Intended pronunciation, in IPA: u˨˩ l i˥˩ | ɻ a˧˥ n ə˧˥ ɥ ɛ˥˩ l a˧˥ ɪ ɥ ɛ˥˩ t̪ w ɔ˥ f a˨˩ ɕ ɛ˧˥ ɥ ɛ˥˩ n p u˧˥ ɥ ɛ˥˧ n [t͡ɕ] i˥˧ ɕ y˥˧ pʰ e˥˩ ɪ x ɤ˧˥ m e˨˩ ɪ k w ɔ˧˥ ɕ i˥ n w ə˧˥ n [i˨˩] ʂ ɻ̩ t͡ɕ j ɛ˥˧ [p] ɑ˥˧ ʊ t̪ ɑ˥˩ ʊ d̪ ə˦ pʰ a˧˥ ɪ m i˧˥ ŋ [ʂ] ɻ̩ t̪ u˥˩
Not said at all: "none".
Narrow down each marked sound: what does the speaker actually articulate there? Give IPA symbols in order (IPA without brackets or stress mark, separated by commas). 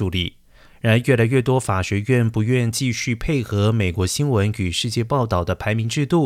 t͡ɕ, y˨˩, p, ʈ͡ʂ